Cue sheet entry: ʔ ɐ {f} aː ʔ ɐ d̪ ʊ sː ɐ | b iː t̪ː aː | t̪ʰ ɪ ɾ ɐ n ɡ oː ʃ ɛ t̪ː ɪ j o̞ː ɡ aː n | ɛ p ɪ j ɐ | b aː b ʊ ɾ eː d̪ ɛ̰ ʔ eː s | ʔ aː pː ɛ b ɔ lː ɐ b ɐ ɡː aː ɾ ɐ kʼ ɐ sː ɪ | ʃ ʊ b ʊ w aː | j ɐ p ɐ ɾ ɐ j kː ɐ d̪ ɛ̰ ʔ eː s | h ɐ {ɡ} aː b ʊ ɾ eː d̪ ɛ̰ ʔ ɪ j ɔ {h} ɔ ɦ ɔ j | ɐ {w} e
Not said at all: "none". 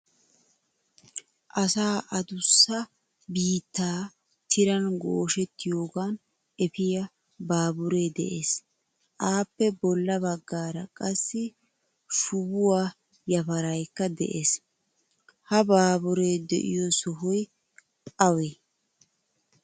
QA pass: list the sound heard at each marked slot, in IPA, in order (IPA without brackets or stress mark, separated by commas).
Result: s, b, s, w